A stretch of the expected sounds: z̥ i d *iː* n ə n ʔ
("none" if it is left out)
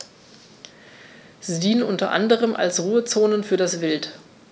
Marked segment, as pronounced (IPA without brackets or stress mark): iː